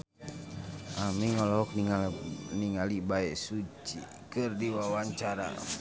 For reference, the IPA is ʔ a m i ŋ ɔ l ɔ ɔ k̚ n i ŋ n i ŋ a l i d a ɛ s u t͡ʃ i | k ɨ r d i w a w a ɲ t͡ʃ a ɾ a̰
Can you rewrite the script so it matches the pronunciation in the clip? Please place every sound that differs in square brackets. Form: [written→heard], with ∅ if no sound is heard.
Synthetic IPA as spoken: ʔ a m i ŋ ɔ l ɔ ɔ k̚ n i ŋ n i ŋ a l i [d→b] a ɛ s u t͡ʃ i | k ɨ r d i w a w a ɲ t͡ʃ a ɾ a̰

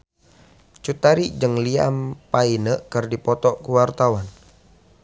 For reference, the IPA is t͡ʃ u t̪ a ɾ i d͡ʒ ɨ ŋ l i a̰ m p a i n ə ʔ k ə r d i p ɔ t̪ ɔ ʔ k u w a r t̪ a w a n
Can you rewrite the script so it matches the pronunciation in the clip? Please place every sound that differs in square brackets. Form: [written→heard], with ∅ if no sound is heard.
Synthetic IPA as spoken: t͡ʃ u t̪ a ɾ i d͡ʒ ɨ ŋ l i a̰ m p a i n ə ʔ k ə r d i p ɔ t̪ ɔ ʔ k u w a r t̪ a w a n

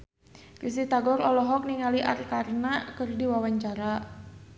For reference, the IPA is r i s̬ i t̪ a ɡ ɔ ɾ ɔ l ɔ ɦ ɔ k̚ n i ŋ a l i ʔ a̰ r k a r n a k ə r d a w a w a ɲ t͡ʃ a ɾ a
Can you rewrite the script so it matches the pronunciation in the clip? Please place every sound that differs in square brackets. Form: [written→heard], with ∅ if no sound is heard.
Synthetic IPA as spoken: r i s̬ i t̪ a ɡ ɔ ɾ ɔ l ɔ ɦ ɔ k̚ n i ŋ a l i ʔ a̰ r k a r n a k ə r d [a→i] w a w a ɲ t͡ʃ a ɾ a

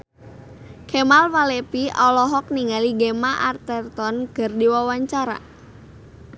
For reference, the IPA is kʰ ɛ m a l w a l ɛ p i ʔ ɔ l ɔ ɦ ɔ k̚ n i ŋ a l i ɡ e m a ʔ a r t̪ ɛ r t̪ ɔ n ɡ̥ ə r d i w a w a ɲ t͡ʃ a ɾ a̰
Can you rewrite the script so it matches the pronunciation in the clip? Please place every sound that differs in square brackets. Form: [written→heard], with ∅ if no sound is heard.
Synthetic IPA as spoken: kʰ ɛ m a l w a l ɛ p i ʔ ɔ l ɔ ɦ ɔ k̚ n i ŋ a l i ɡ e m a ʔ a r t̪ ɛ r t̪ ɔ n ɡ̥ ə r d i w a w a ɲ t͡ʃ a ɾ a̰

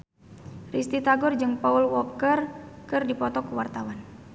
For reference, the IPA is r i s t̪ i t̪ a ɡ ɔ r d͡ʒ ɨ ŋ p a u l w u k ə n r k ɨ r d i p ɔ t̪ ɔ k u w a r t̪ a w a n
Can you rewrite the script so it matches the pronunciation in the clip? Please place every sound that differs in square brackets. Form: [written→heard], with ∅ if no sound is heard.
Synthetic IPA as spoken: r i s t̪ i t̪ a ɡ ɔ r d͡ʒ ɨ ŋ p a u l w [u→ɔ] k ə [n→∅] r k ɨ r d i p ɔ t̪ ɔ k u w a r t̪ a w a n

